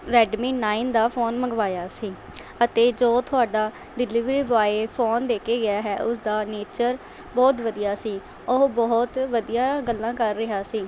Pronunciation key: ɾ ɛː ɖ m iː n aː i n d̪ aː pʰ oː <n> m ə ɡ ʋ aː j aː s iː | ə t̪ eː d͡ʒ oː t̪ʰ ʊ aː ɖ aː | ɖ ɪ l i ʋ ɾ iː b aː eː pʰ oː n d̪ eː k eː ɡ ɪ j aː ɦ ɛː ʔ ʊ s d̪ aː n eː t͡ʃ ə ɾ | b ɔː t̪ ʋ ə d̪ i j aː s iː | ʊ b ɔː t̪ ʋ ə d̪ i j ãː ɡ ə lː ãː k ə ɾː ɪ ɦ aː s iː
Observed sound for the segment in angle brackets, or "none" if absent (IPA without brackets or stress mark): n